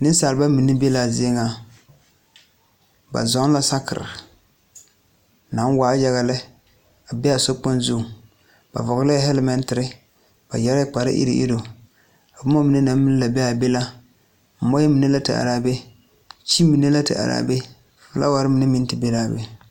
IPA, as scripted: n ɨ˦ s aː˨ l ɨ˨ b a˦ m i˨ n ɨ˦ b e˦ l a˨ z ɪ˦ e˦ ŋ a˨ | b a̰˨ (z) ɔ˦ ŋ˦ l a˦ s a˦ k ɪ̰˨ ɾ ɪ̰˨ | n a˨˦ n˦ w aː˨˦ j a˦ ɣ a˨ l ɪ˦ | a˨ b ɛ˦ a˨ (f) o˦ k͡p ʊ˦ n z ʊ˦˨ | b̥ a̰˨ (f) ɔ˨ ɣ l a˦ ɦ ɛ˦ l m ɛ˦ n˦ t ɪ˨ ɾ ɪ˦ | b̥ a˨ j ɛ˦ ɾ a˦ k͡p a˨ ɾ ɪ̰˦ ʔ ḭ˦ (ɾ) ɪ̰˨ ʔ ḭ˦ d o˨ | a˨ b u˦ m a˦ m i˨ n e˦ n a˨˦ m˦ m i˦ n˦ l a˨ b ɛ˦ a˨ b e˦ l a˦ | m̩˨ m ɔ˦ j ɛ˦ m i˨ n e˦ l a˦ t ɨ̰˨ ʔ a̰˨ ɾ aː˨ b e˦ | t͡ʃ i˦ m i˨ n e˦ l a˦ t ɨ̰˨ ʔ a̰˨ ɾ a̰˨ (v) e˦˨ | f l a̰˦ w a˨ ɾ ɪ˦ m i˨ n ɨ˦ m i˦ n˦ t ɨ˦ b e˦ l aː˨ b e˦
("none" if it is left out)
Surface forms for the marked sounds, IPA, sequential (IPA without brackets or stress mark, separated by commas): z, s, v, ɾ, b